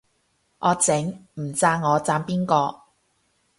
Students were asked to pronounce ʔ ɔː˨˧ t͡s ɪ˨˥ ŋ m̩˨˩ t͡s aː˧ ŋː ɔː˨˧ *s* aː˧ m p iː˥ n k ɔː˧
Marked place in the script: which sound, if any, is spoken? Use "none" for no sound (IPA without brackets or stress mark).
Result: t͡s